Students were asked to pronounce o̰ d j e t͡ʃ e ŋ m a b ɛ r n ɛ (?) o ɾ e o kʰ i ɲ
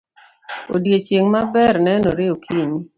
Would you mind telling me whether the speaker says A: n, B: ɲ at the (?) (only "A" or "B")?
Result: A